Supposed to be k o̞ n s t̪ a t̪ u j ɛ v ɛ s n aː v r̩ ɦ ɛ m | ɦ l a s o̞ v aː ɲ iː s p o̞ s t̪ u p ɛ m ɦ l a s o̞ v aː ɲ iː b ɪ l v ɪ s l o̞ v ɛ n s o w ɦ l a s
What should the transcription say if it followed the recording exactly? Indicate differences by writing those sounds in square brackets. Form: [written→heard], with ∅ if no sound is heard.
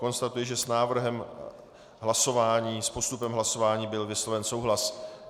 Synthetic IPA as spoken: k o̞ n s t̪ a t̪ u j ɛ [v→ʒ] ɛ s n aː v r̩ ɦ ɛ m | ɦ l a s o̞ v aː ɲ iː s p o̞ s t̪ u p ɛ m ɦ l a s o̞ v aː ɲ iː b ɪ l v ɪ s l o̞ v ɛ n s o w ɦ l a s